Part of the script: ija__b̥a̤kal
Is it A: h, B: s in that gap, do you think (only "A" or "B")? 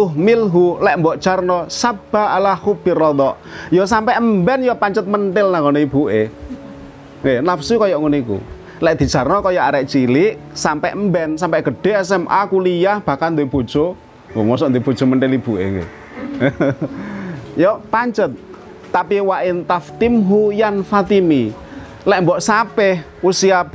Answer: A